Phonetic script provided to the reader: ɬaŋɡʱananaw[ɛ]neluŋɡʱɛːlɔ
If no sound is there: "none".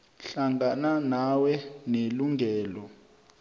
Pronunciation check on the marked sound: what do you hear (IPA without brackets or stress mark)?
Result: ɛ